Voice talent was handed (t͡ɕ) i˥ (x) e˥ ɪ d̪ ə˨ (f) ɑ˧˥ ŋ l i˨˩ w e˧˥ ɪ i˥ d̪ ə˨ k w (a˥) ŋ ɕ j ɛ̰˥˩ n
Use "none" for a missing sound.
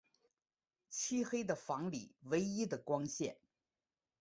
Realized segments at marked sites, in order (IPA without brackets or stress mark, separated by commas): t͡ɕʰ, x, f, ɑ˥